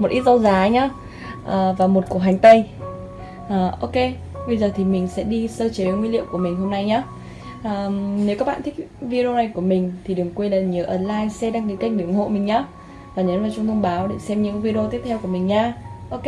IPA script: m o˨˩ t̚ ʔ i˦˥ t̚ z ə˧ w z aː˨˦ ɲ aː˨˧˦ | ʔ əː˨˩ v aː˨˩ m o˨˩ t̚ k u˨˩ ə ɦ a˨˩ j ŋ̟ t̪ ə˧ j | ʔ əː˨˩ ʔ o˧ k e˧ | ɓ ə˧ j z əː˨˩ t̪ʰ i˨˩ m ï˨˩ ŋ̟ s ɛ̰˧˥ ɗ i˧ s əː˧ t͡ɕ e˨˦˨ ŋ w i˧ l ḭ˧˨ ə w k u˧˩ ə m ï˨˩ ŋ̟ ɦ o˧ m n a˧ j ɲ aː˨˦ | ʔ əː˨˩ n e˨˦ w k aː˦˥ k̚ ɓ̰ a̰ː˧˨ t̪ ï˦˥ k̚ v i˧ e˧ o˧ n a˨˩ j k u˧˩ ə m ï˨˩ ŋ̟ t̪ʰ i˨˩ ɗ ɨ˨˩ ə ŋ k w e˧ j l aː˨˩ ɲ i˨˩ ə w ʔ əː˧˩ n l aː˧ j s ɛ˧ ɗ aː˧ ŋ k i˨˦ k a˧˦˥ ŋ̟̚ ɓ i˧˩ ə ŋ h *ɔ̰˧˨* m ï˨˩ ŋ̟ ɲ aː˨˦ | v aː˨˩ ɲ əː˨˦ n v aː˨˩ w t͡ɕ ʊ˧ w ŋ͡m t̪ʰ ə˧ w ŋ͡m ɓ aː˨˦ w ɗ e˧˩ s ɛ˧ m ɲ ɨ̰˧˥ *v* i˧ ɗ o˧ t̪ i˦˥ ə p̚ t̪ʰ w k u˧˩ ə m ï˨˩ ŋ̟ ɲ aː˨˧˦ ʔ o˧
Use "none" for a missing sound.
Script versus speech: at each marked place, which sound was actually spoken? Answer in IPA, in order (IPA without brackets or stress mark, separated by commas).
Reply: o̰˧˨, v